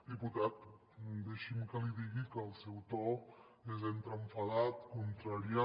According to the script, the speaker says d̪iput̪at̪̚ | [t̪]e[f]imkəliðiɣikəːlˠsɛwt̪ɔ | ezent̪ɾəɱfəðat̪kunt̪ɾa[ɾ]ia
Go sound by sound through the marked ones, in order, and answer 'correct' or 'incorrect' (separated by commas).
incorrect, incorrect, correct